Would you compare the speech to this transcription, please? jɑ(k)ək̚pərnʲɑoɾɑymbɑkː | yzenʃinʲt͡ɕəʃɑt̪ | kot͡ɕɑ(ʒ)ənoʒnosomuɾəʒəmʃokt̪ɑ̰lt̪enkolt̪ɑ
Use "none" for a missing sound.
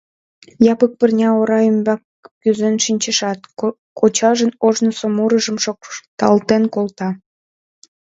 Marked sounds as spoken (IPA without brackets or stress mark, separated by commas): p, ʒ